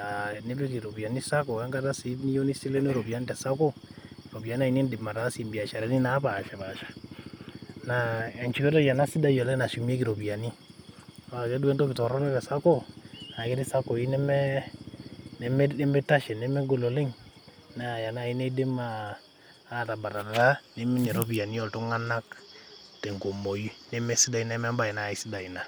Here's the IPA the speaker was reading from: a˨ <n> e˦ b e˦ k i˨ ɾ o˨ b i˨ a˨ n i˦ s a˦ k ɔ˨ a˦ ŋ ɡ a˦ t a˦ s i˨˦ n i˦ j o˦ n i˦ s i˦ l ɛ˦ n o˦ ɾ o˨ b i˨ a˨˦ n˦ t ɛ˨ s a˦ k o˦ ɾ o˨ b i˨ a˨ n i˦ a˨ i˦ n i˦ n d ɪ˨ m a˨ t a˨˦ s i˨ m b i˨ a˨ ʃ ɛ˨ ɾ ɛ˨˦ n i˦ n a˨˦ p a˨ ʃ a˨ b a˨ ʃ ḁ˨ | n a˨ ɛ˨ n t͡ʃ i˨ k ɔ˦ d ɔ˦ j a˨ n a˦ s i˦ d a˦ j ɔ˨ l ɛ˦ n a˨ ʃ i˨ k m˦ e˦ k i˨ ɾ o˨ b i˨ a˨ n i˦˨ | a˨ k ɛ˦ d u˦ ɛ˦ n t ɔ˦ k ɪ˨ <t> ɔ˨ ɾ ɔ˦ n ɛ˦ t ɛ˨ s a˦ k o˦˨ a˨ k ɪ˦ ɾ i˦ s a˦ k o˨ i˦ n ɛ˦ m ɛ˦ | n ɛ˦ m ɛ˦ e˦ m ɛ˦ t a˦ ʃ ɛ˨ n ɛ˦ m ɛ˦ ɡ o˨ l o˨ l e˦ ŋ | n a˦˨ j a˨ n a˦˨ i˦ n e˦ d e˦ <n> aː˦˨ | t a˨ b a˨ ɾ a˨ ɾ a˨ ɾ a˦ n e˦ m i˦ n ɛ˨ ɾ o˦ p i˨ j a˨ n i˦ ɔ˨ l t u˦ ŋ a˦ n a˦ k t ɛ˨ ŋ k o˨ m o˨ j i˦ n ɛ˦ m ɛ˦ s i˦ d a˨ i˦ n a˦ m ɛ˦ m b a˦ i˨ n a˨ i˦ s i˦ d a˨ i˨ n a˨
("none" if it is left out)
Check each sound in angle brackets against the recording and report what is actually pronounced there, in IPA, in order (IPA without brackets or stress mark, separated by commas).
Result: n, t, m